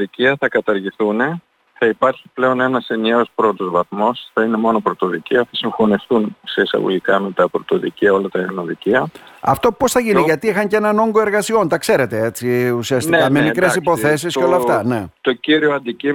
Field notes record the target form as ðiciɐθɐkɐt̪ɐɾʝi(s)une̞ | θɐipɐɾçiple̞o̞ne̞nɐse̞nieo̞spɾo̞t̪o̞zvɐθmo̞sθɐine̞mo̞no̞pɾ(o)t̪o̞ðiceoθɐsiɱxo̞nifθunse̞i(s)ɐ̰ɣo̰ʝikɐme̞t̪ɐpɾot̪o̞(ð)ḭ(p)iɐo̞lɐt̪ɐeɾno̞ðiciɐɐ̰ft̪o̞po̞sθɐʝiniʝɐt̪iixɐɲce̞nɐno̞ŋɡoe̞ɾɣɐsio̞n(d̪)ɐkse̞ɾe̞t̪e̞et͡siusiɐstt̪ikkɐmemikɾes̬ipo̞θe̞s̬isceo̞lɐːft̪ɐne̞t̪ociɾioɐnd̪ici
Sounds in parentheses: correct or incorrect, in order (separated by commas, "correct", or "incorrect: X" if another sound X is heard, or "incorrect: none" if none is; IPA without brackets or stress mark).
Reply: incorrect: θ, correct, correct, correct, incorrect: c, incorrect: t̪